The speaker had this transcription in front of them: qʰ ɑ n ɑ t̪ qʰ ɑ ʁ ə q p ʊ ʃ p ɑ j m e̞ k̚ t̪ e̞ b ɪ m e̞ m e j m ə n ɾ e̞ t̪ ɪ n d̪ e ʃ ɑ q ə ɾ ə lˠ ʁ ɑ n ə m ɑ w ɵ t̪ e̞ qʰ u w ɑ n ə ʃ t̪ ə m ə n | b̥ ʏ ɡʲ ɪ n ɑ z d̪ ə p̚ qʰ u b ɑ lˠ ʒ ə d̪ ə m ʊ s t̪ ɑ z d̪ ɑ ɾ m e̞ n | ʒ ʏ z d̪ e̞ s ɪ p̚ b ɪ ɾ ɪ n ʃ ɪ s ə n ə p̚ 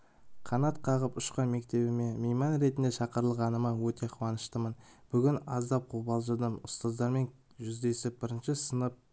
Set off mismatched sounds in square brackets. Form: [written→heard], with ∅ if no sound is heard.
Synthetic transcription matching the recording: qʰ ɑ n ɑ t̪ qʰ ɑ ʁ ə [q→∅] p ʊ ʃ [p→q] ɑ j m e̞ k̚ t̪ e̞ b ɪ m e̞ m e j m [ə→ɑ] n ɾ e̞ t̪ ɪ n d̪ e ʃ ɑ q ə ɾ ə lˠ ʁ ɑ n ə m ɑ w ɵ t̪ e̞ qʰ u w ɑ n ə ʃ t̪ ə m ə n | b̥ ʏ ɡʲ ɪ n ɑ z d̪ [ə→ɑ] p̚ qʰ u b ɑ lˠ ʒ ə d̪ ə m ʊ s t̪ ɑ z d̪ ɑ ɾ m e̞ n | ʒ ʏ z d̪ e̞ s ɪ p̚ b ɪ ɾ ɪ n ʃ ɪ s ə n ə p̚